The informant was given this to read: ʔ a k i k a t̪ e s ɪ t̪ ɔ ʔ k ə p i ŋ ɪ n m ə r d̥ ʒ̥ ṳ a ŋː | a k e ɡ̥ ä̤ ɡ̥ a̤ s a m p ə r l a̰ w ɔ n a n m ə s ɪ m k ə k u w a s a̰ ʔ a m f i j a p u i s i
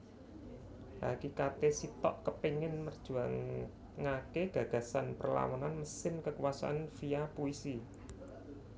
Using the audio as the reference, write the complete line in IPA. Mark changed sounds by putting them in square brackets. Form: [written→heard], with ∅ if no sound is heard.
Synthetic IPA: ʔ a k i k a t̪ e s [ɪ→i] t̪ ɔ ʔ k ə p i ŋ ɪ n m ə r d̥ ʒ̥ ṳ a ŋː | a k e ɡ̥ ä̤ ɡ̥ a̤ s a [m→n] p ə r l a̰ w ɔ n a n m ə s ɪ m k ə k u w a s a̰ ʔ a [m→n] f i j a p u i s i